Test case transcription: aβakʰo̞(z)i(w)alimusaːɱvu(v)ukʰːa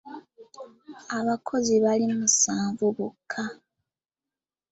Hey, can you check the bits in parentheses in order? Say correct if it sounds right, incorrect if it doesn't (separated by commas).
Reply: correct, incorrect, incorrect